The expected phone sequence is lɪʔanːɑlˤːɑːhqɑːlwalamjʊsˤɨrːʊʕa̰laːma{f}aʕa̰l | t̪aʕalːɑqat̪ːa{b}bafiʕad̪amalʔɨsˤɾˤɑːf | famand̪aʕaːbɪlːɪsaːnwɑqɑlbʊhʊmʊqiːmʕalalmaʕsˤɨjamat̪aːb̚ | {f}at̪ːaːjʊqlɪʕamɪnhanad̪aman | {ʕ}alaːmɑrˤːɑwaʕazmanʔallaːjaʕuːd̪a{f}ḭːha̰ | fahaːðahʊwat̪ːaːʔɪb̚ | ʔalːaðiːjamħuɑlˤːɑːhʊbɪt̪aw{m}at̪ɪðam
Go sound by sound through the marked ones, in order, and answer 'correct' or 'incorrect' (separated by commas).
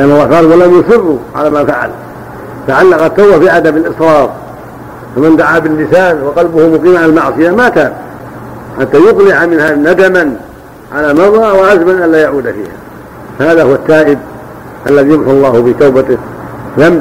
correct, incorrect, incorrect, correct, correct, incorrect